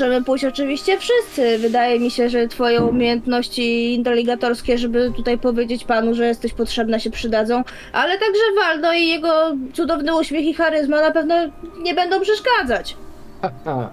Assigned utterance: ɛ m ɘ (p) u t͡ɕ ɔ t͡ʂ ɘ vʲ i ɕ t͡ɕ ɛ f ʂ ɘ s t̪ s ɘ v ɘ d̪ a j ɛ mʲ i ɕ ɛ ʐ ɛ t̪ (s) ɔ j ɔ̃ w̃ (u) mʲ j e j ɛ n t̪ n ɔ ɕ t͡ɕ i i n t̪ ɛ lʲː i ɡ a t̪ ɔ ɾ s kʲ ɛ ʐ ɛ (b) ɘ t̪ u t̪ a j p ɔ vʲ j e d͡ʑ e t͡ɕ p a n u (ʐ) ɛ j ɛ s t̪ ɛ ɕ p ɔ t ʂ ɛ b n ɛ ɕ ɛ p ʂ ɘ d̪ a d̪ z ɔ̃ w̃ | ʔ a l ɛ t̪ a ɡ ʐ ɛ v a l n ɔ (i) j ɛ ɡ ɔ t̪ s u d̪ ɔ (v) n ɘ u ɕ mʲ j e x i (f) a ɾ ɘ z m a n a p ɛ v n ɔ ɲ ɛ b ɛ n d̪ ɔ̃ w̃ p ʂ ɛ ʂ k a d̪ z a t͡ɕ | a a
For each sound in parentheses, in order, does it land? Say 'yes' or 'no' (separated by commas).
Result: yes, no, yes, yes, yes, yes, yes, no